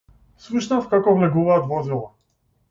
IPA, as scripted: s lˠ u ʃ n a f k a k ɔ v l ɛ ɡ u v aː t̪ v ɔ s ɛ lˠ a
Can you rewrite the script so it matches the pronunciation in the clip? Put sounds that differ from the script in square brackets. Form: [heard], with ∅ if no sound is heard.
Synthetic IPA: s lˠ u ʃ n a f k a k ɔ v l ɛ ɡ u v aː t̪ v ɔ [z] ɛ lˠ a